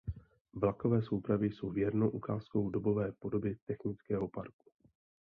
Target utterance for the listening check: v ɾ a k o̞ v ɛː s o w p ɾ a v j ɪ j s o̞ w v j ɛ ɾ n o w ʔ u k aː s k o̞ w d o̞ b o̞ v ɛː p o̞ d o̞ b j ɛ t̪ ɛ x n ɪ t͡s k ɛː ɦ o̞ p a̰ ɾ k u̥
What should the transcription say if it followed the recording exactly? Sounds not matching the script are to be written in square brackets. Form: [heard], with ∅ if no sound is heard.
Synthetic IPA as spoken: v [l] a k o̞ v ɛː s o w p ɾ a v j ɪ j s o̞ w v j ɛ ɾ n o w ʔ u k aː s k o̞ w d o̞ b o̞ v ɛː p o̞ d o̞ b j ɛ t̪ ɛ x n ɪ t͡s k ɛː ɦ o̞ p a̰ ɾ k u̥